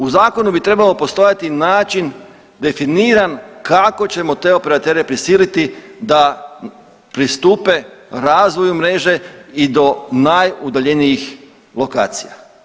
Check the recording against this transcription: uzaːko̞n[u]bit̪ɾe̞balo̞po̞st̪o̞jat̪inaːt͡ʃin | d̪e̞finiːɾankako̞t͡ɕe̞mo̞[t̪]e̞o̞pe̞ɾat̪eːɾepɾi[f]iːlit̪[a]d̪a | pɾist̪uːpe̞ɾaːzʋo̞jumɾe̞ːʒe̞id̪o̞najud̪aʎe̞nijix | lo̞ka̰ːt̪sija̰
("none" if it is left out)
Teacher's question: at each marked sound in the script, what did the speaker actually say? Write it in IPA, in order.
u, t̪, s, i

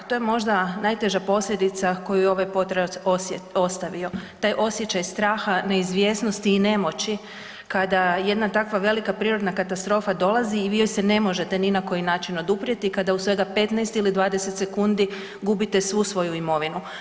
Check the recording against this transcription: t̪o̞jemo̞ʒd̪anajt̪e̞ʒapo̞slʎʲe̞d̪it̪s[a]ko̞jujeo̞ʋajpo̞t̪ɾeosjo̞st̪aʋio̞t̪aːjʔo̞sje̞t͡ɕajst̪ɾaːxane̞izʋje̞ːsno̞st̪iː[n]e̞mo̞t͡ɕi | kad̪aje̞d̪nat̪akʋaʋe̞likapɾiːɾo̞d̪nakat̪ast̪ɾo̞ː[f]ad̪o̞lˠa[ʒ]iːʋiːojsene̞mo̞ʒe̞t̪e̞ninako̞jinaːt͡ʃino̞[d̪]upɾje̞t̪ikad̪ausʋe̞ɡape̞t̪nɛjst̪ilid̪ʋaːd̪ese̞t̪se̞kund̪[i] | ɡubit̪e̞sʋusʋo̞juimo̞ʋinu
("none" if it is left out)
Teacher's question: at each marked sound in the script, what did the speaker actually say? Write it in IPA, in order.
a, n, f, z, d̪, i

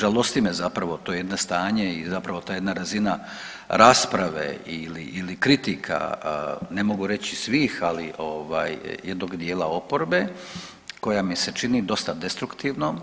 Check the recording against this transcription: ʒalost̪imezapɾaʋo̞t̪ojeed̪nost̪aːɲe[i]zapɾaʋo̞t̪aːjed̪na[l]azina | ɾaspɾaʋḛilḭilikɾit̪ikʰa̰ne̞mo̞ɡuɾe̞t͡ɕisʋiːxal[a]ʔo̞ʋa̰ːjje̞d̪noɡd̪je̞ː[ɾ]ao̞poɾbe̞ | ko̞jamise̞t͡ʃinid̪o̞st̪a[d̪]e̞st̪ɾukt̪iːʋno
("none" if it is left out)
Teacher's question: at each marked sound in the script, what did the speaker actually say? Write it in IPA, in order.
i, ɾ, i, l, d̪

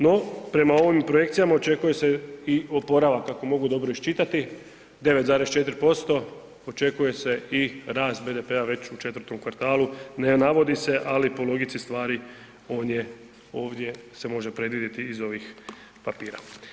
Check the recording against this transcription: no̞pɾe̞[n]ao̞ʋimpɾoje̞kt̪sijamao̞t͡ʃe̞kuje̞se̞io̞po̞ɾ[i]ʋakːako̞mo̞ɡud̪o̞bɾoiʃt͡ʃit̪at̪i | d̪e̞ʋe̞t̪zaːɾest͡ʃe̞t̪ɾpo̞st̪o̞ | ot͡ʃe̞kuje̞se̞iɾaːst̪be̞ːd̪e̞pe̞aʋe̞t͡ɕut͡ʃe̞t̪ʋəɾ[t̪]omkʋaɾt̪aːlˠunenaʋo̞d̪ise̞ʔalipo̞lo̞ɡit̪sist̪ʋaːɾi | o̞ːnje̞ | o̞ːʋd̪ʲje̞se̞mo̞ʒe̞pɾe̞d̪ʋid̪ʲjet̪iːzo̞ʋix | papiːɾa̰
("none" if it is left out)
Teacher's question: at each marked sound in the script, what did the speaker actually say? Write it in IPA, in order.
m, a, t̪

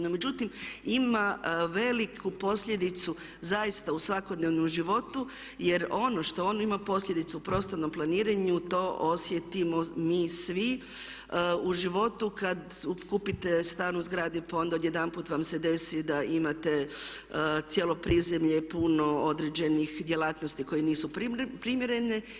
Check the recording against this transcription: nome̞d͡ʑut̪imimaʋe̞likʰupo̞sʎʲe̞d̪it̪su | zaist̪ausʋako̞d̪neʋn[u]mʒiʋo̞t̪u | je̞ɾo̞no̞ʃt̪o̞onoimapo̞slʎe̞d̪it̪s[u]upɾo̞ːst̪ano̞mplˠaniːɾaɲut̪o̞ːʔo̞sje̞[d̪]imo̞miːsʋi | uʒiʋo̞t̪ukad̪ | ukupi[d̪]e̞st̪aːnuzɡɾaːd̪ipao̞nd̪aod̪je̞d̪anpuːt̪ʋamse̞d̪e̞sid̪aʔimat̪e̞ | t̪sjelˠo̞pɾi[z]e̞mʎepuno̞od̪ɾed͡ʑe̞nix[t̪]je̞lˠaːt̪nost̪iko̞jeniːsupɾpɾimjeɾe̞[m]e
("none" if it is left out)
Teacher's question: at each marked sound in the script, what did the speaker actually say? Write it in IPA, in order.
o, u, t̪, t̪, z, d̪, n

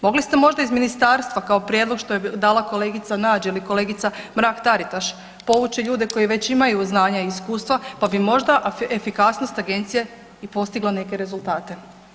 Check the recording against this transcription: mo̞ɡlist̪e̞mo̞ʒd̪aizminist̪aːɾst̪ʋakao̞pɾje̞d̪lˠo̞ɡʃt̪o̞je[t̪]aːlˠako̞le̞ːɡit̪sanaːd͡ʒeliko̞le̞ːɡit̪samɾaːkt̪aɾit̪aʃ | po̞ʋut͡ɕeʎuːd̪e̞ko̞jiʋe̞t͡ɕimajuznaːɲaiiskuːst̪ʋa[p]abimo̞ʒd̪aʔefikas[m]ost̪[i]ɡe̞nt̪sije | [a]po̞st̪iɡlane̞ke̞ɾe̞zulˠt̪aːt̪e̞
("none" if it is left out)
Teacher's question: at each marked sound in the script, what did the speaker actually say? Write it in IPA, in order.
d̪, p, n, a, i

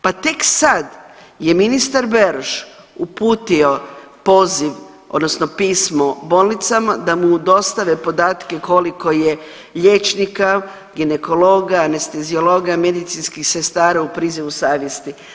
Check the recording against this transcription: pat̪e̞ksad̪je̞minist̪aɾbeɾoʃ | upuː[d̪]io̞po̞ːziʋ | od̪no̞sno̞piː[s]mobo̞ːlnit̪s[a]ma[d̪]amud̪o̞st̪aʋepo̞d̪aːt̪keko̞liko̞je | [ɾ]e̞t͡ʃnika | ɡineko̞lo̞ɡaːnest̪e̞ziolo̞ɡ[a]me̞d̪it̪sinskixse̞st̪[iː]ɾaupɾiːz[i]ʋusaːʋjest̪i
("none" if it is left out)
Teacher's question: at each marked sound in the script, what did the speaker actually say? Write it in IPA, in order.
t̪, s, a, d̪, ʎ, a, aː, i

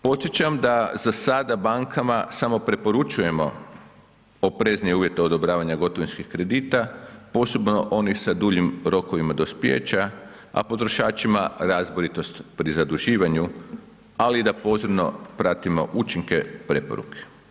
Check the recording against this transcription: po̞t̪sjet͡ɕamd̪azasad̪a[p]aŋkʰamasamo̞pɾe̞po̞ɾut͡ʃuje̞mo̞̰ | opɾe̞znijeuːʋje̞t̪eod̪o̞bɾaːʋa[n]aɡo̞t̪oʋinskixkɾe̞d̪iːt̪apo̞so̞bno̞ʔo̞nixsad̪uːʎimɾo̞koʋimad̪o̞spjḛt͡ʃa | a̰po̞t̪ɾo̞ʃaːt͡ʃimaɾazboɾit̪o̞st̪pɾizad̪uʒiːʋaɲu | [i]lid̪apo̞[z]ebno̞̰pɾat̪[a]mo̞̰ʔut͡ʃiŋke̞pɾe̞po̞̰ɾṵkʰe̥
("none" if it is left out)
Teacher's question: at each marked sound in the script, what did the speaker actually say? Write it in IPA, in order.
b, ɲ, a, z, i

